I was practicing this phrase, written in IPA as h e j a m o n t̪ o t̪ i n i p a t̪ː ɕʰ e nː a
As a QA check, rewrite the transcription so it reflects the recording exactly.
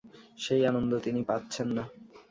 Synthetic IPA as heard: ʃ e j a n o n d̪ o t̪ i n i p a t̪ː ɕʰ e nː a